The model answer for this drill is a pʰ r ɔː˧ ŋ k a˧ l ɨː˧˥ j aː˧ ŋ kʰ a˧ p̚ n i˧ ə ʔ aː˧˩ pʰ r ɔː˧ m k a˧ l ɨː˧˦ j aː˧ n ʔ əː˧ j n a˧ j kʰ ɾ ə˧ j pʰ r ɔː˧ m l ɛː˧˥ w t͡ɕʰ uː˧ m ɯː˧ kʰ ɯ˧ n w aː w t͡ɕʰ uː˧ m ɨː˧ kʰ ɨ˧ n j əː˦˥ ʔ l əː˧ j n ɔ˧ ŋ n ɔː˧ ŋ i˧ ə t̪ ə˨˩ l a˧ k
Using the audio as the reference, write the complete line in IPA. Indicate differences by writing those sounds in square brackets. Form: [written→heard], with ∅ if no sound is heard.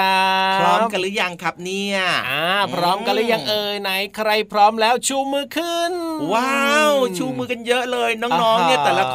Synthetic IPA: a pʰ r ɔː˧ [ŋ→m] k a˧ l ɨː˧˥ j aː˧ ŋ kʰ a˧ p̚ n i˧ ə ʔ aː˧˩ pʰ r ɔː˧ m k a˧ l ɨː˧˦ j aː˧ [n→ŋ] ʔ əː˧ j n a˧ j kʰ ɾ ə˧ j pʰ r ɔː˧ m l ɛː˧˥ w t͡ɕʰ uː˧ m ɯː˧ kʰ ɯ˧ n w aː w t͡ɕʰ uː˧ m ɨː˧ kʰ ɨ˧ n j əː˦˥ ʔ l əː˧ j n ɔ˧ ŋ n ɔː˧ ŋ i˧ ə t̪ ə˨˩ l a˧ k